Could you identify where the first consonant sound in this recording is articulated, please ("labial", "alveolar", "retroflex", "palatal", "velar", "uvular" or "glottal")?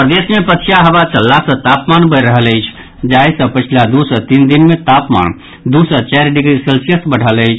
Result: labial